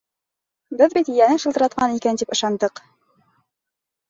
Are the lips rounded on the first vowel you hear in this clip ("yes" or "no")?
no